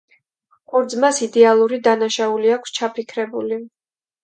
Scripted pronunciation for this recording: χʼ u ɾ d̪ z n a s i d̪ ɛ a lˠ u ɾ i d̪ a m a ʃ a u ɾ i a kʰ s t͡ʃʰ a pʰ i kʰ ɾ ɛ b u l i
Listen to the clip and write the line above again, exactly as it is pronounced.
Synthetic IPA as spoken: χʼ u ɾ d̪ z m a s i d̪ ɛ a lˠ u ɾ i d̪ a n a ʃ a u l i a kʰ s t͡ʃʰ a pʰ i kʰ ɾ ɛ b u l i